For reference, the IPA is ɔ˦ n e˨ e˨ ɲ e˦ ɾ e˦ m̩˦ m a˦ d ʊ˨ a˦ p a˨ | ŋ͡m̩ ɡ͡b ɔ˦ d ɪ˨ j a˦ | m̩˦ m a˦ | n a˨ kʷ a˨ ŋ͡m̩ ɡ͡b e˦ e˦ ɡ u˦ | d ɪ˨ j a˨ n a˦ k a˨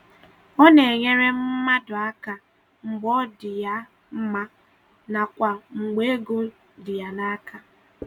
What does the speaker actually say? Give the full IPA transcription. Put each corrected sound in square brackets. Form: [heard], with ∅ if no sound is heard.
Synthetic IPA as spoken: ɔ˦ n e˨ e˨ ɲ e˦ ɾ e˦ m̩˦ m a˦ d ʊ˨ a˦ [k] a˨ | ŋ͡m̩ ɡ͡b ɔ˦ d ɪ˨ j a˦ | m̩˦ m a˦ | n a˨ kʷ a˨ ŋ͡m̩ ɡ͡b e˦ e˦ ɡ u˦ | d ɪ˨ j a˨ n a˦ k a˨